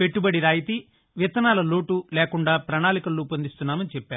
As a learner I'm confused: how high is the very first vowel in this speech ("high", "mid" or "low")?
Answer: mid